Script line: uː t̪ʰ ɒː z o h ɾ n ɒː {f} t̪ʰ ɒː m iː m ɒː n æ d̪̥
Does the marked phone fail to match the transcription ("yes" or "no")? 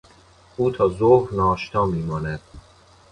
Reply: yes